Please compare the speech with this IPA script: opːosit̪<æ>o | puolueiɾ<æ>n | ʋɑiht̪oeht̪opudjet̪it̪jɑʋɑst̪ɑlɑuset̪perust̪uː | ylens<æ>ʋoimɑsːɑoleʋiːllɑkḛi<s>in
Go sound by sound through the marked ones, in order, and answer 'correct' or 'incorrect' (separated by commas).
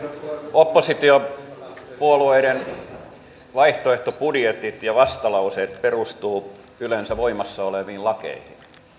incorrect, incorrect, correct, incorrect